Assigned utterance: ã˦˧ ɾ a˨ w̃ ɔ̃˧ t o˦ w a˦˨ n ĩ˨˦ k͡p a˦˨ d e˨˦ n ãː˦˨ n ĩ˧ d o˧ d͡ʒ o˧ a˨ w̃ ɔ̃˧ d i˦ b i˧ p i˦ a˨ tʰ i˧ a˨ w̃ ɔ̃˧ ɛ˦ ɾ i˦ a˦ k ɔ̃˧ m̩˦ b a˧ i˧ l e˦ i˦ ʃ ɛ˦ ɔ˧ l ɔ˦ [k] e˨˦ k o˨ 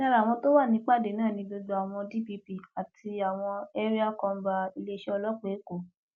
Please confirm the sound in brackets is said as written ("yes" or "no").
no